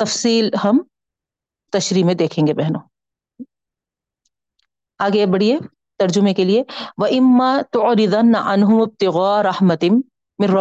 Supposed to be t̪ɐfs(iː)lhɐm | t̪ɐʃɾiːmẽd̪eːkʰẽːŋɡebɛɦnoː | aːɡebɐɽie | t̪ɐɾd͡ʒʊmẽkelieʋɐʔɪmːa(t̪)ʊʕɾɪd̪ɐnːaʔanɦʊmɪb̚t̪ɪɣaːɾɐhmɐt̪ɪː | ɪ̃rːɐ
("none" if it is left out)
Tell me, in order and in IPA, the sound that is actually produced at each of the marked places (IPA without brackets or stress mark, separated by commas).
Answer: iː, t̪